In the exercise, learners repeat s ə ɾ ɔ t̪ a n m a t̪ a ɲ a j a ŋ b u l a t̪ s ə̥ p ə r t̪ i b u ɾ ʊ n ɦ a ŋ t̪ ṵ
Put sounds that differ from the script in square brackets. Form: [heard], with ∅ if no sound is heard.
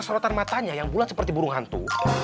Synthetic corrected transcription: s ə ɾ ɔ t̪ a n m a t̪ a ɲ a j a ŋ b u l a t̪ s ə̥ p ə r t̪ i b u ɾ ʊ [ŋ] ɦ a [n] t̪ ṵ